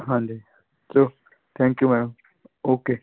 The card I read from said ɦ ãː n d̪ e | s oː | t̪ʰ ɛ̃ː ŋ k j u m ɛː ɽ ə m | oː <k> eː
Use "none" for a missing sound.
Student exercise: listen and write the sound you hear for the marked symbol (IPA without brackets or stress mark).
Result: k